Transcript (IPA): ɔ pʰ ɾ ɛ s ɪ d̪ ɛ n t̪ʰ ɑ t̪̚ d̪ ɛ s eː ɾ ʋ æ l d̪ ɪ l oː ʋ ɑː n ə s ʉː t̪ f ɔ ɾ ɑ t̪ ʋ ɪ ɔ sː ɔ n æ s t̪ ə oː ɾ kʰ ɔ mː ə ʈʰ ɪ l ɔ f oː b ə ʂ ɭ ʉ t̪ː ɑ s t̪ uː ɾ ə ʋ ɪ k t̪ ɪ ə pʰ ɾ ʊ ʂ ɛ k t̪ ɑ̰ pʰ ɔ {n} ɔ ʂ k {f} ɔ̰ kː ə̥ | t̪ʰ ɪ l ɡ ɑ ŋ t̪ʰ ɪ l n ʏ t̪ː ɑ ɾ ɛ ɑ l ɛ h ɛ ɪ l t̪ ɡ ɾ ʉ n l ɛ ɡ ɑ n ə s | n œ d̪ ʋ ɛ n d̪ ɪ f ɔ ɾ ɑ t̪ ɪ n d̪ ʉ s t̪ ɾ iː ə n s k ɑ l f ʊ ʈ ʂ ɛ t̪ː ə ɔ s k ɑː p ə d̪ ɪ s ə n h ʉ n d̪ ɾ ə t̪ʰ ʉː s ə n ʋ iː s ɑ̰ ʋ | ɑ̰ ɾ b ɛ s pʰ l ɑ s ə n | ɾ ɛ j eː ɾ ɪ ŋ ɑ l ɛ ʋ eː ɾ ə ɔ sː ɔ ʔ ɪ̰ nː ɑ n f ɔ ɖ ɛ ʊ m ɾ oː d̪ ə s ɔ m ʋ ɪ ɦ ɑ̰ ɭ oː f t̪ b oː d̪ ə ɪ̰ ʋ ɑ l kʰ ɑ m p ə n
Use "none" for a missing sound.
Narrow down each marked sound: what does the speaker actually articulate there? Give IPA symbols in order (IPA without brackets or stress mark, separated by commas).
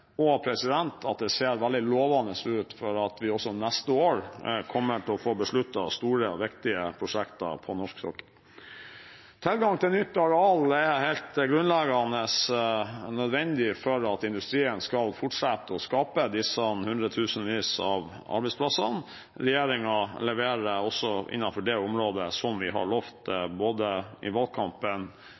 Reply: n, s